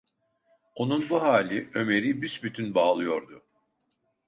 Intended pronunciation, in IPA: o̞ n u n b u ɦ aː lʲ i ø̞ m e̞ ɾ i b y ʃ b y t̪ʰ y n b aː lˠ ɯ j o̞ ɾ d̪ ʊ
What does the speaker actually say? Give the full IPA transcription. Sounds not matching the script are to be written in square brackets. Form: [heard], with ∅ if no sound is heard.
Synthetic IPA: o̞ n u n b u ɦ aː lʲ i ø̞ m e̞ ɾ i b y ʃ b y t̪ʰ y n b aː lˠ ɯ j o̞ ɾ d̪ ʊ